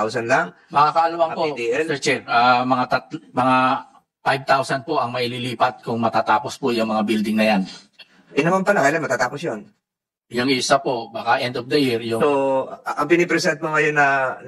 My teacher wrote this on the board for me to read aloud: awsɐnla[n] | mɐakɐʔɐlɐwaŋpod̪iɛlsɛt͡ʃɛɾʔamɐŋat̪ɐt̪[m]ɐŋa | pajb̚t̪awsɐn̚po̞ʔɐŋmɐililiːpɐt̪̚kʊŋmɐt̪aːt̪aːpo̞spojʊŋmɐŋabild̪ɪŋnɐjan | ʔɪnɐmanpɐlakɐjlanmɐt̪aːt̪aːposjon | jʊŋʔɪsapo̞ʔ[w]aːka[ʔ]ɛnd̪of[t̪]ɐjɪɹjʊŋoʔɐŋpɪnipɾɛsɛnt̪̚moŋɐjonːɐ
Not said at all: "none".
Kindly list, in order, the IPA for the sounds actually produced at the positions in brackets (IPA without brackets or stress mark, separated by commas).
ŋ, m, b, ʔ, d̪